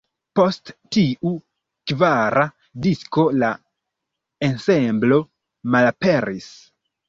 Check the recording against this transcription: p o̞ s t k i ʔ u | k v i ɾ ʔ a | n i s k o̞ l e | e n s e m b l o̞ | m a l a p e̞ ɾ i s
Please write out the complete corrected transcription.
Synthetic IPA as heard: p o̞ s t t i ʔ u | k v a ɾ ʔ a | d i s k o̞ l a | e n s e m b l o̞ | m a l a p e̞ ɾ i s